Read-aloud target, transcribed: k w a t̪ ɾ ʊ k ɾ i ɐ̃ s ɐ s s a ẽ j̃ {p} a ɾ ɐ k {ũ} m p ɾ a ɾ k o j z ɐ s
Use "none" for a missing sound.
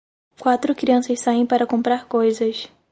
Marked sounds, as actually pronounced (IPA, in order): p, õ

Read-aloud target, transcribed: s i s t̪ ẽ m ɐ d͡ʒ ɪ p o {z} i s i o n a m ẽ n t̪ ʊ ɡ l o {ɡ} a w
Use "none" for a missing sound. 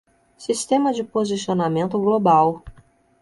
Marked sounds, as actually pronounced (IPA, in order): z, b

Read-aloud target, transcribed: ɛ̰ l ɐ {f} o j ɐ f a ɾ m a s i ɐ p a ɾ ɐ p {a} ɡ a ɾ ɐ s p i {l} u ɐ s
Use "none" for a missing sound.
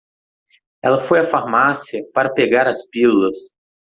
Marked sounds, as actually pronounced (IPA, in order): f, e, l

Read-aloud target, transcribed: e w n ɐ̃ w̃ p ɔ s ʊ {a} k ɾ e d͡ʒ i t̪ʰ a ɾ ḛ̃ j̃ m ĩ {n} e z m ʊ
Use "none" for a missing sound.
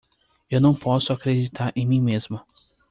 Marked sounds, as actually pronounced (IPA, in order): a, m

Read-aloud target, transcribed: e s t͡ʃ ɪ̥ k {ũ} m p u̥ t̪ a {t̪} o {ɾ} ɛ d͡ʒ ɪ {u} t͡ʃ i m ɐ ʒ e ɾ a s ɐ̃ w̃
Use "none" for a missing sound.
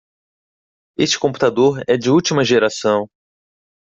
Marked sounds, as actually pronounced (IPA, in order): õ, d̪, ɾ, u

